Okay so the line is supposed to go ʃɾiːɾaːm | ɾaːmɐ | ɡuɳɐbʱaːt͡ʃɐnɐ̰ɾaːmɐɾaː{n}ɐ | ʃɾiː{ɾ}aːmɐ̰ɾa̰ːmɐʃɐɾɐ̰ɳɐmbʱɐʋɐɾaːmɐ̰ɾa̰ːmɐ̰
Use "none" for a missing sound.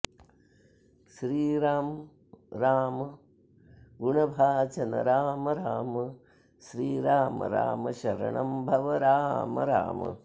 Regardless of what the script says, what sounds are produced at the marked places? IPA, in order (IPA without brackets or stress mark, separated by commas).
m, ɾ